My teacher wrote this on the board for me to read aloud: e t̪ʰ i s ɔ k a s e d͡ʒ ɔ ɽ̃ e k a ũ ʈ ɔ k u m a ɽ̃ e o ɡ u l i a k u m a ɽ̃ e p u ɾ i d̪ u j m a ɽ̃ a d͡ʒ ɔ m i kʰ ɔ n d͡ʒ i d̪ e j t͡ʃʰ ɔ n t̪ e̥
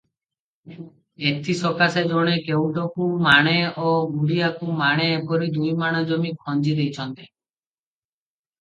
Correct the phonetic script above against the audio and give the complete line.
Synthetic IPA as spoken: e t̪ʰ i s ɔ k a s e d͡ʒ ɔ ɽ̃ e k e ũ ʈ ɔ k u m a ɽ̃ e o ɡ u ɽ i a k u m a ɽ̃ e p ɔ ɾ i d̪ u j m a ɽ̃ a d͡ʒ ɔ m i kʰ ɔ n d͡ʒ i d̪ e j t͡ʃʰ ɔ n t̪ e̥